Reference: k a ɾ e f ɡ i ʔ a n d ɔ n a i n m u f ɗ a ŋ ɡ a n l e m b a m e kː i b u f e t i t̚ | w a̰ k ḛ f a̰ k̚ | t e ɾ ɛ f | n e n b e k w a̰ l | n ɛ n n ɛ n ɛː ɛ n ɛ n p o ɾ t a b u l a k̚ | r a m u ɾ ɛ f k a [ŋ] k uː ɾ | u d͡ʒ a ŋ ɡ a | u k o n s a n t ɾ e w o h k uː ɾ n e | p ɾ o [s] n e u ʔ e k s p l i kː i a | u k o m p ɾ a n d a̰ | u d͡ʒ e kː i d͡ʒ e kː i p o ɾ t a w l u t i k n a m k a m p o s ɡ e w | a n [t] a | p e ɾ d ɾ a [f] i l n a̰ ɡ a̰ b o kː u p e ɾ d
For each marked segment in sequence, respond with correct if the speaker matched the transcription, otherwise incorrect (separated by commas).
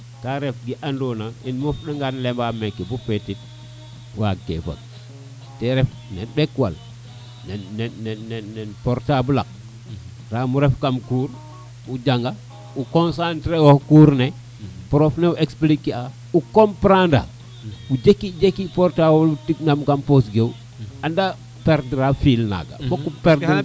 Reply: incorrect, incorrect, incorrect, correct